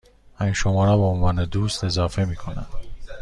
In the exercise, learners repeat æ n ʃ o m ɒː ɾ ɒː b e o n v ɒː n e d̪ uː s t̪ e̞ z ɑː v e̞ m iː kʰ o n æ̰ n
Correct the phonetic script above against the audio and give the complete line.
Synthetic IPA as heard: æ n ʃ o m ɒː ɾ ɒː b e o n v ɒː n e d̪ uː s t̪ e̞ z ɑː f e̞ m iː kʰ o n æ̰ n